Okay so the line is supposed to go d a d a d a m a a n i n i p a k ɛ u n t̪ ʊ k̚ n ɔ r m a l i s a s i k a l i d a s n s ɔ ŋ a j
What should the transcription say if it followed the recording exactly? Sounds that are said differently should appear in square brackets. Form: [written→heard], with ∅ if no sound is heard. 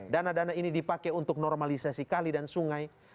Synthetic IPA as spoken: d a [d→n] a d a [m→n] a [a→i] n i [n→d] i p a k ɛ u n t̪ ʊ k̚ n ɔ r m a l i s a s i k a l i d a [s→∅] n s [ɔ→u] ŋ a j